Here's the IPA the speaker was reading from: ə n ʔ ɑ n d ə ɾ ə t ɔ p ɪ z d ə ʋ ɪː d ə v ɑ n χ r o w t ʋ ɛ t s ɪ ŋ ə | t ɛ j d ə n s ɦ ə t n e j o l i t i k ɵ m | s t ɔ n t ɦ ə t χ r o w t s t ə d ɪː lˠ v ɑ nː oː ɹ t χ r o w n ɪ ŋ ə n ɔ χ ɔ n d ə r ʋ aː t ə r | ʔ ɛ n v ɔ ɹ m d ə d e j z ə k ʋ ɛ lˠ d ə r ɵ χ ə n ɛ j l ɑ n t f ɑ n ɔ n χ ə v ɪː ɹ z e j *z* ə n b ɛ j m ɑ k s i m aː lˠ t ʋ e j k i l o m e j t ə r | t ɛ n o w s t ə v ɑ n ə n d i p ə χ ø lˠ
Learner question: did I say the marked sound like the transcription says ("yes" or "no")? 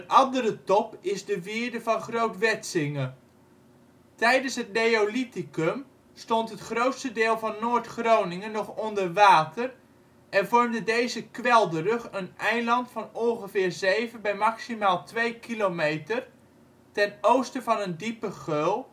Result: no